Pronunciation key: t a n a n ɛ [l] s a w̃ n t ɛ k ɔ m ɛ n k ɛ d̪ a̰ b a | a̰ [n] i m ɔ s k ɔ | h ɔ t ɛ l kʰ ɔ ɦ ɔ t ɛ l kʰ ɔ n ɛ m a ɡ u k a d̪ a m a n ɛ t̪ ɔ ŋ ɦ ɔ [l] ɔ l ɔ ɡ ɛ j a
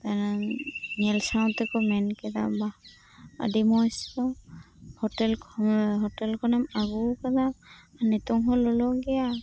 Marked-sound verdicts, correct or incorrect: correct, incorrect, correct

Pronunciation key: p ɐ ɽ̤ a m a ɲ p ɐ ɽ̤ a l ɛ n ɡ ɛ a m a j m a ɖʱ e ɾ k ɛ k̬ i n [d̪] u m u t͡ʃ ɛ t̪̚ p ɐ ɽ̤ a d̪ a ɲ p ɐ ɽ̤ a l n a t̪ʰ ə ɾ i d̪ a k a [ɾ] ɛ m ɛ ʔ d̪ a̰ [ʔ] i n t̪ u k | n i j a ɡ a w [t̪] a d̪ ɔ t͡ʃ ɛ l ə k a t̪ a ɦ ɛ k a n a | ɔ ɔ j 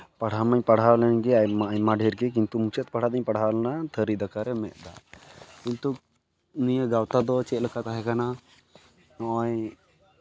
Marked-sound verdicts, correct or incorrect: incorrect, correct, incorrect, correct

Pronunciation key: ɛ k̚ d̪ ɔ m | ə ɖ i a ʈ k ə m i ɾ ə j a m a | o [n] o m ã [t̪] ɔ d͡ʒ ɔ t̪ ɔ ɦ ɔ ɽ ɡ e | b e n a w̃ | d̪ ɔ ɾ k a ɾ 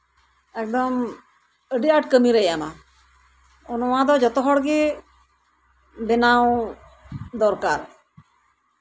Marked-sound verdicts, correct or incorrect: correct, incorrect

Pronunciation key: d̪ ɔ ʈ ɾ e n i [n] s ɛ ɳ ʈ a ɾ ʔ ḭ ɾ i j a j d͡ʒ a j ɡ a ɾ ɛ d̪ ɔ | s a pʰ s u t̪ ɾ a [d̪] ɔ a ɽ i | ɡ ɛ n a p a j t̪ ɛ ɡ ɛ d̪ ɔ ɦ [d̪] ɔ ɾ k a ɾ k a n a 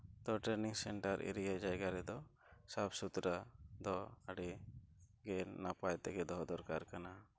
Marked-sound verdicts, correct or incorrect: incorrect, correct, correct

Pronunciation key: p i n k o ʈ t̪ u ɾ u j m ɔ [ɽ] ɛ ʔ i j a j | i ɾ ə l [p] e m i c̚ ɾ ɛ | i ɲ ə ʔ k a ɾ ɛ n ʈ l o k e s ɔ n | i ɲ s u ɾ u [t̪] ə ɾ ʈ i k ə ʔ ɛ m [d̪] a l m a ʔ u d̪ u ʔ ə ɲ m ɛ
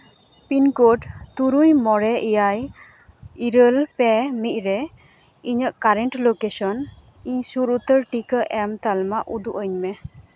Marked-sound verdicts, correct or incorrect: incorrect, correct, correct, incorrect

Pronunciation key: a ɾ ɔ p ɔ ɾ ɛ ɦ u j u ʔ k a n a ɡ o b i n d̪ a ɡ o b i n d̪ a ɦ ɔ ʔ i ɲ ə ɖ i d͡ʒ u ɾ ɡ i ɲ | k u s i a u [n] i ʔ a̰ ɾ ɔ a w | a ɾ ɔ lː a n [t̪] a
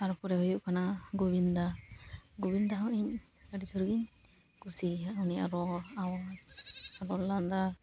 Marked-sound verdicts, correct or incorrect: correct, incorrect

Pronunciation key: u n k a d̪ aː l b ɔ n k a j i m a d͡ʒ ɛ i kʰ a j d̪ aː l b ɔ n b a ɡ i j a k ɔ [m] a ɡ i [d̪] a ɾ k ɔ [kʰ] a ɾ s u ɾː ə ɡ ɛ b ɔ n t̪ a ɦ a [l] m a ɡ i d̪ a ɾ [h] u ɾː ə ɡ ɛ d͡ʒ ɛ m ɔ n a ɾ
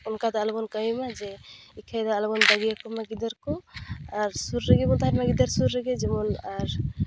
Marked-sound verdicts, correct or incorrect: correct, correct, incorrect, incorrect, incorrect

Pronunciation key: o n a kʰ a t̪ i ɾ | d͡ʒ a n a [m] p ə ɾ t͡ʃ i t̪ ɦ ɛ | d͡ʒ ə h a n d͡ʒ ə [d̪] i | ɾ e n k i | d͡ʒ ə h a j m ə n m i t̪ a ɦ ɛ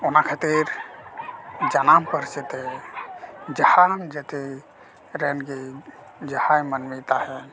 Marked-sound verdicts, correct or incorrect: correct, incorrect

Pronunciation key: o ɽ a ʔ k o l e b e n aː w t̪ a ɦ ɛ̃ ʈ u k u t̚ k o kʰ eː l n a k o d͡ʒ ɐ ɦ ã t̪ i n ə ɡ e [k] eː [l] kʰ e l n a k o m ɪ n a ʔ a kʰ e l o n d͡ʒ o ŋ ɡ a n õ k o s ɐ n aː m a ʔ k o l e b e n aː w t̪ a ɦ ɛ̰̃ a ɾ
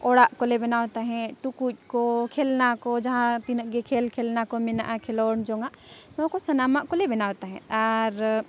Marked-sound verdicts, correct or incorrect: incorrect, correct

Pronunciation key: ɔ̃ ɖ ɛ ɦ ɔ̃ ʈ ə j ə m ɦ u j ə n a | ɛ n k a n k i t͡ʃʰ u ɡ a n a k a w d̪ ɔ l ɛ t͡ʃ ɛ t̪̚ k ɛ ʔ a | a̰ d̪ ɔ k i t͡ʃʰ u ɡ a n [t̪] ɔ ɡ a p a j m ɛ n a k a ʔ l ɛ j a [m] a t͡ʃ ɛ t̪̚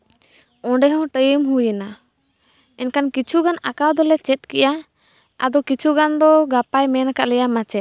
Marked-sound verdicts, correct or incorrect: incorrect, correct

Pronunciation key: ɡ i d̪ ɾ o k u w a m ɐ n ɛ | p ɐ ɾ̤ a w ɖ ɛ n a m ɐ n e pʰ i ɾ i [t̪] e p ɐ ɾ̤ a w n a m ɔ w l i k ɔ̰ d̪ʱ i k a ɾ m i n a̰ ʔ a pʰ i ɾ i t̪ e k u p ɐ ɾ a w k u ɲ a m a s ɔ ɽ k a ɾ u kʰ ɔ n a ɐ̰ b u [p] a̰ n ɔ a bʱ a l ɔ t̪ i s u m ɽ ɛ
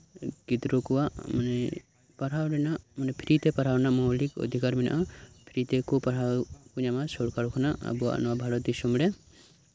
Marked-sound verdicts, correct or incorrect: correct, incorrect

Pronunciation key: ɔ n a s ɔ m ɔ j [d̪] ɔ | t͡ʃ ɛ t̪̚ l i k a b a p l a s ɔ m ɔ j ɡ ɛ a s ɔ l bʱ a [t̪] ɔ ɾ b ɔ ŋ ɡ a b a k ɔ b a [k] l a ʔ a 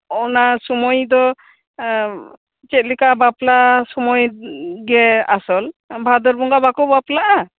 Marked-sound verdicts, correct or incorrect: correct, incorrect, incorrect

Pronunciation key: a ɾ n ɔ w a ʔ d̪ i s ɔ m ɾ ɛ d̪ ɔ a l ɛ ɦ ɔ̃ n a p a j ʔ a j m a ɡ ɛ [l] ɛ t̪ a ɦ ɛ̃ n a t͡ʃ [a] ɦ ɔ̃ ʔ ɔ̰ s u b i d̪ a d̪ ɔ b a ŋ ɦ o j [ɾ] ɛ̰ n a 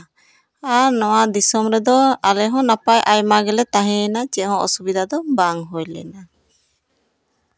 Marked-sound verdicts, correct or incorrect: correct, incorrect, incorrect

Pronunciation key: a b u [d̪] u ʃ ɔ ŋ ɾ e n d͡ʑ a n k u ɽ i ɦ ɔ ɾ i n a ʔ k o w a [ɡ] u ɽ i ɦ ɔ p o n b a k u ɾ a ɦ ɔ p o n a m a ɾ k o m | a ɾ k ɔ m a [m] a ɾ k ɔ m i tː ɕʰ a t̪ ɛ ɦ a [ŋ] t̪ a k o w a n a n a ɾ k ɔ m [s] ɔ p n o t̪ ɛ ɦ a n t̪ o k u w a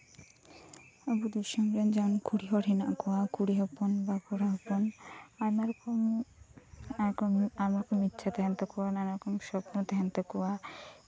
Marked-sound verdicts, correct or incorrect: correct, incorrect, correct, incorrect, incorrect

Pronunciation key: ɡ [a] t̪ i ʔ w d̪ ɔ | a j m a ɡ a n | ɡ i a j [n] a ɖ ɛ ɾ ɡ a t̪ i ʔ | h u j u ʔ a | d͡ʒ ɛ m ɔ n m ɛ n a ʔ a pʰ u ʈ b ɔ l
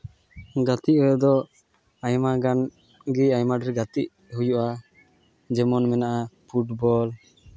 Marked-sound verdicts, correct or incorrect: correct, incorrect

